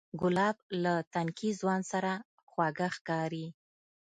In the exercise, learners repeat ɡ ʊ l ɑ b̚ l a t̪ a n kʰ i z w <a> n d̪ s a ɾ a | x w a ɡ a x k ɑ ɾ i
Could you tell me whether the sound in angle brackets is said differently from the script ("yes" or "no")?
yes